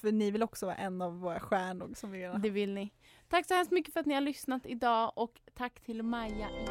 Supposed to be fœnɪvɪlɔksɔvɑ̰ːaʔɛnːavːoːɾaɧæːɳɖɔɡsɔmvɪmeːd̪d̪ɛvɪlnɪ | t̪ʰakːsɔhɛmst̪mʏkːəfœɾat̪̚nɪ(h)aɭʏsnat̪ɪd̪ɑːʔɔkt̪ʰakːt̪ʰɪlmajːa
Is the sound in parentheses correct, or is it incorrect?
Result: correct